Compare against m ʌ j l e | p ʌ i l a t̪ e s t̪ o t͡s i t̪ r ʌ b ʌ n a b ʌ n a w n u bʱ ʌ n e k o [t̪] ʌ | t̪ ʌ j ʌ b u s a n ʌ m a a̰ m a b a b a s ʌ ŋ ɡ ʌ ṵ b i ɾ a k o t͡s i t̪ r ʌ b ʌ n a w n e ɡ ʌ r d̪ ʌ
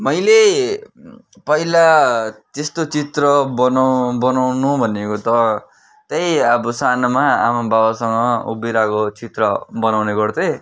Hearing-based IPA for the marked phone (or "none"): t̪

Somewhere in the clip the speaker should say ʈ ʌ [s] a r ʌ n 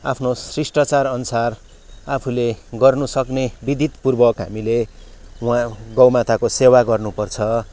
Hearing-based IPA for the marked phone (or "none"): t͡s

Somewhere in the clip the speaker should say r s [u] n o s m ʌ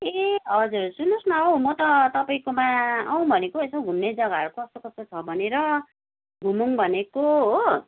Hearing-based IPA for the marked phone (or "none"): u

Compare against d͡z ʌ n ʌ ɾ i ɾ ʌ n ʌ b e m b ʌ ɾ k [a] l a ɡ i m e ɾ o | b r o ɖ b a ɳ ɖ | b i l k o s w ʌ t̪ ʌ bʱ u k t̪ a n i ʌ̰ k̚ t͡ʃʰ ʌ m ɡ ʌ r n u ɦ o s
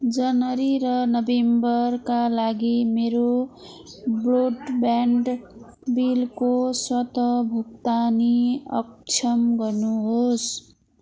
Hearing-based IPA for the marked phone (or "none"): a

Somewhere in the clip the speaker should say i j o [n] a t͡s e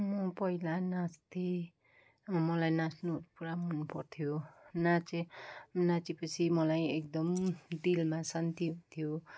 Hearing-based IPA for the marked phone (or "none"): n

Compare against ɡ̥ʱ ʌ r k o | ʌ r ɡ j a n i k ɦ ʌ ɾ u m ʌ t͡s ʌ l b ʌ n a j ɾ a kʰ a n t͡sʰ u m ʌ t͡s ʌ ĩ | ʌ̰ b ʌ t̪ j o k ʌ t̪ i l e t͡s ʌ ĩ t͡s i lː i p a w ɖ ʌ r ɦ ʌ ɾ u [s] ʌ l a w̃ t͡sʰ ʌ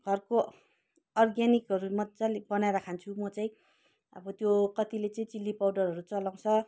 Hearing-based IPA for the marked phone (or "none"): t͡s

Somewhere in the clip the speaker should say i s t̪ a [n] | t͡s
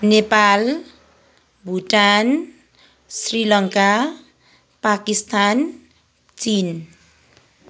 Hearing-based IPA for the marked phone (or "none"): n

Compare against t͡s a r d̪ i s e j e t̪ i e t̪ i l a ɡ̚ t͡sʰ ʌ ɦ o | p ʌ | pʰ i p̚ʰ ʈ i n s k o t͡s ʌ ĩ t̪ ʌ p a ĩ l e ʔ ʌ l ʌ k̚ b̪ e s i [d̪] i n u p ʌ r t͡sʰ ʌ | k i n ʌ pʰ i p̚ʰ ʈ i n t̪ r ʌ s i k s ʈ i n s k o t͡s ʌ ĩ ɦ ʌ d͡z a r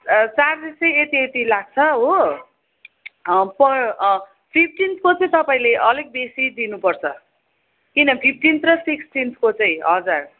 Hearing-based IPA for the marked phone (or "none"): d̪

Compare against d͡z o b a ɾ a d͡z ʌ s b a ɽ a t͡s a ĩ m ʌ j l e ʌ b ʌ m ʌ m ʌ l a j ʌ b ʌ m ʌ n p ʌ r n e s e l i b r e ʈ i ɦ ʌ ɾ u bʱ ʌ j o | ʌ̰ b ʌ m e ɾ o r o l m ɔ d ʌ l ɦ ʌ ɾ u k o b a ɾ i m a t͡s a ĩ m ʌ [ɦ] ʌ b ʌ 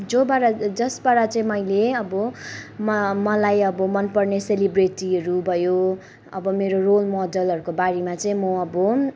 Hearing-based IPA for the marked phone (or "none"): none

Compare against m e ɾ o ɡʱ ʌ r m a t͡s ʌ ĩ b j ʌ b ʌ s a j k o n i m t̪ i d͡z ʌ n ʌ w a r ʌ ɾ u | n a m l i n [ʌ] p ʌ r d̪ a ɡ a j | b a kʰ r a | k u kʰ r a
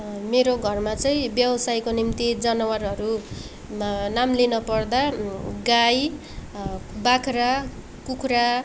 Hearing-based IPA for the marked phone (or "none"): ʌ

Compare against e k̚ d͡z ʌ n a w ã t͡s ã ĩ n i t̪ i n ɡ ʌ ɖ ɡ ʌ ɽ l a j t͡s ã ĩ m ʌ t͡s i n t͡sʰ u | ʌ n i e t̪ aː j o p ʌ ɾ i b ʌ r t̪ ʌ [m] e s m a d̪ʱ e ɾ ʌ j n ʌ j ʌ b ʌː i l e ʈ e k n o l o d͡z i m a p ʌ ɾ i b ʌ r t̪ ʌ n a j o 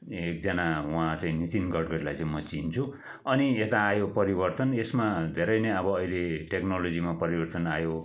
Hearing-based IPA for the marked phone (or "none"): n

